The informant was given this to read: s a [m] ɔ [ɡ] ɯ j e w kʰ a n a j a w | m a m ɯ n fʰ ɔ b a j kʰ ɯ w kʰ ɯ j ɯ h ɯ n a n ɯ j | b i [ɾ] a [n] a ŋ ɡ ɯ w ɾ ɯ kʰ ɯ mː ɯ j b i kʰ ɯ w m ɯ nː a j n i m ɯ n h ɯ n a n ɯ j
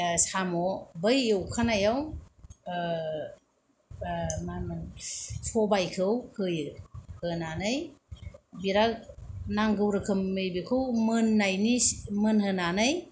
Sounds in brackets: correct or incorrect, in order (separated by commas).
correct, incorrect, correct, correct